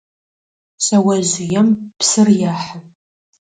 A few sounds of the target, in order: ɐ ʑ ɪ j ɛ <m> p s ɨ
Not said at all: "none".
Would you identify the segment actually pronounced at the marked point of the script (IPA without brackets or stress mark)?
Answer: m